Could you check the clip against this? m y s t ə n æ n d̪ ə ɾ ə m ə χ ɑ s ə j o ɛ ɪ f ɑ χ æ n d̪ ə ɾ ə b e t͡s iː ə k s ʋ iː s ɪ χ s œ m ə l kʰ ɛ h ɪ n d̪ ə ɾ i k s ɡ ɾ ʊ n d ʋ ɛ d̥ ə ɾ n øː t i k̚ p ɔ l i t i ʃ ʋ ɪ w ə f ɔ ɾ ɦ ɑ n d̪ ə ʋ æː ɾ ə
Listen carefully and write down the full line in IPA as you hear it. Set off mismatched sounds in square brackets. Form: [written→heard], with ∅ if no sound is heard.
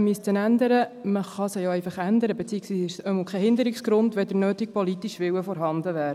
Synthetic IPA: m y s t ə n æ n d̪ ə ɾ ə m ə χ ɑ s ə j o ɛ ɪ f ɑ χ æ n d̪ ə ɾ ə b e t͡s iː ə k s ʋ iː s ɪ [χ→ʃ] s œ m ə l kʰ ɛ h ɪ n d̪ ə ɾ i k s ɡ ɾ ʊ n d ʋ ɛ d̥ ə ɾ n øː t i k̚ p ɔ l i t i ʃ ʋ ɪ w ə f ɔ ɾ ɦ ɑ n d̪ ə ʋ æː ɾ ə